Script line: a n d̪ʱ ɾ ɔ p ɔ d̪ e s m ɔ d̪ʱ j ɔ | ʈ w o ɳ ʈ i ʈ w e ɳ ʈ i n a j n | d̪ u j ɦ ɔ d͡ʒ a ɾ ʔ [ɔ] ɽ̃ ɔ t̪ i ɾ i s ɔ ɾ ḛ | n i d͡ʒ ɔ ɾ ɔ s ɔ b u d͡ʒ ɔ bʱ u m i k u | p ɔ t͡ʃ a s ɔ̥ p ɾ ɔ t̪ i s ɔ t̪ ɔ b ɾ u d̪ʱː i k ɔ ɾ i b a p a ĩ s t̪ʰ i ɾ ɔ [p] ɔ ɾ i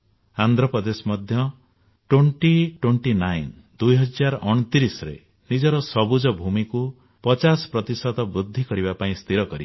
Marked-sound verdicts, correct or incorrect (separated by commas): correct, incorrect